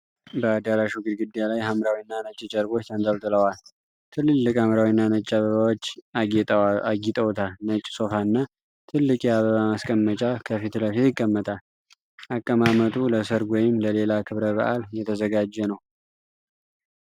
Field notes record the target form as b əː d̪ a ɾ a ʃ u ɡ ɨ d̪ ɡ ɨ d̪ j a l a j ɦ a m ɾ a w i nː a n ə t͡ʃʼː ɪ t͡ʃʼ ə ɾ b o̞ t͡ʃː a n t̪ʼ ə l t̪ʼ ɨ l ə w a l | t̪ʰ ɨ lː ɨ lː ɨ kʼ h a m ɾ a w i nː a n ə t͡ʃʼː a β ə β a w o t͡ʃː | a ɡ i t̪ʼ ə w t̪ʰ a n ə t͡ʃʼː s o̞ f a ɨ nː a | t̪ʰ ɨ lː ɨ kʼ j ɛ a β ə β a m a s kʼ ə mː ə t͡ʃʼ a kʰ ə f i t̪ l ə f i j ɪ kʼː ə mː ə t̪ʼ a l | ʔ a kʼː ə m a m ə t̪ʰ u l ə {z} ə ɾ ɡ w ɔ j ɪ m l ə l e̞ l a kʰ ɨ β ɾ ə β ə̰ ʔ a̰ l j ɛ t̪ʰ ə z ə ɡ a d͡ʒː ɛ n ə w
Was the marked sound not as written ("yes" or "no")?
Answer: yes